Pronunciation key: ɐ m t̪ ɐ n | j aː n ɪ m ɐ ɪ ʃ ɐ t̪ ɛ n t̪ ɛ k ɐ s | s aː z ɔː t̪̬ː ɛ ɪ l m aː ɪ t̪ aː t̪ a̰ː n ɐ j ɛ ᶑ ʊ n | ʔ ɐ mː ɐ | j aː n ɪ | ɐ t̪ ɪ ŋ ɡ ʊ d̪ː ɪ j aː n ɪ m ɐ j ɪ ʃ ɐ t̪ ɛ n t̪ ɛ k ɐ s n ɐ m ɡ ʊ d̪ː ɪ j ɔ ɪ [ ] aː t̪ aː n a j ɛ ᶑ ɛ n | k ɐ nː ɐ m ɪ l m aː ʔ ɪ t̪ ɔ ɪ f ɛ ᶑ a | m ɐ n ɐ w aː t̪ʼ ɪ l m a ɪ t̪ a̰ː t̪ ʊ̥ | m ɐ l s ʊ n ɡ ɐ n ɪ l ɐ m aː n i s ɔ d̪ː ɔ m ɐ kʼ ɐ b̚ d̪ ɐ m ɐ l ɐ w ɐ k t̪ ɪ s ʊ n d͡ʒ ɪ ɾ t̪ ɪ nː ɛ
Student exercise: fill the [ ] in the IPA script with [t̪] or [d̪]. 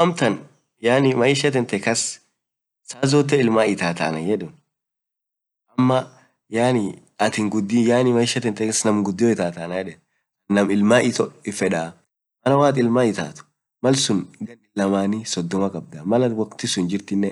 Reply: t̪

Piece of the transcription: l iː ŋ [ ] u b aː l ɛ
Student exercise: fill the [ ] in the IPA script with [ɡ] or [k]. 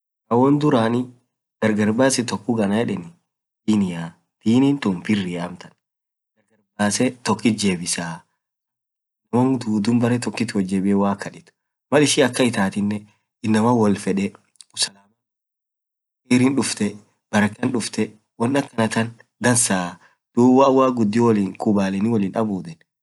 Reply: k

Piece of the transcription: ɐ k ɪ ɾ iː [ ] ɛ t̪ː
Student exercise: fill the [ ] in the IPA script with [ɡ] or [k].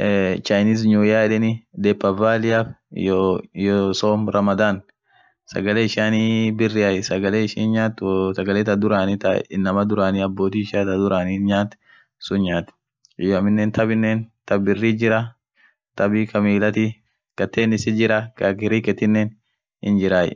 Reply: k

